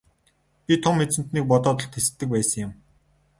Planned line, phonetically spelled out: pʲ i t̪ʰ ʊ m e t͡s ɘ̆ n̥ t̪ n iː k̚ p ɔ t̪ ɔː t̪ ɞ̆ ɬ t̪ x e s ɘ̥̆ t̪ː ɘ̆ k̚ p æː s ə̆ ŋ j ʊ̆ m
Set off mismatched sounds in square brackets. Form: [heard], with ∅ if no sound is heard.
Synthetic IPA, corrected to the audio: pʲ i t̪ʰ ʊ m e t͡s ɘ̆ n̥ t̪ n iː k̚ p ɔ t̪ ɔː t̪ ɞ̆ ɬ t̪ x e s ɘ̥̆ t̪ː ɘ̆ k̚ p æː s ə̆ ŋ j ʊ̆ m